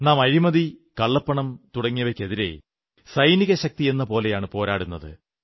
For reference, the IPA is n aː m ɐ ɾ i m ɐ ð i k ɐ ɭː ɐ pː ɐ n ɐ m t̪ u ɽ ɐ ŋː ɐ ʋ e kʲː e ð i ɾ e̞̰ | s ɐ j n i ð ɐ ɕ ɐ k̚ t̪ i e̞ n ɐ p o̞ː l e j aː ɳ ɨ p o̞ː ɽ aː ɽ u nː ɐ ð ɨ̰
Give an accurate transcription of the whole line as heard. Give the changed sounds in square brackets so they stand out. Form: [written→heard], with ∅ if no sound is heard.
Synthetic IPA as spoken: n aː m ɐ ɾ i m ɐ ð i k ɐ ɭː ɐ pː ɐ [n→ɳ] ɐ m t̪ u ɽ ɐ ŋː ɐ ʋ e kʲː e ð i ɾ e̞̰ | s ɐ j n i [ð→ɣ] ɐ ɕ ɐ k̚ t̪ i e̞ [n→nː] ɐ p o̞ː l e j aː ɳ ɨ p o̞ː [ɽ→ɾ] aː ɽ u nː ɐ ð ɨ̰